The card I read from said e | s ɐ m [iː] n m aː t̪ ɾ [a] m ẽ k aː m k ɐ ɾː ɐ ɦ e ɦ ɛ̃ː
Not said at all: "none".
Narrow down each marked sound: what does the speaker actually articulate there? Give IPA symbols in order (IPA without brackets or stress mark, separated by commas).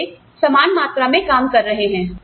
aː, a